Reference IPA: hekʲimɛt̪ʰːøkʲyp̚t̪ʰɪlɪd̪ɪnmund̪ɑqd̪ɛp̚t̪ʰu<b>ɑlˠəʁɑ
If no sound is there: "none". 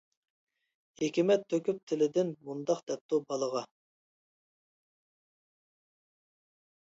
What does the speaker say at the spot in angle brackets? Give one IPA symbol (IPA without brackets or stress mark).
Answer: b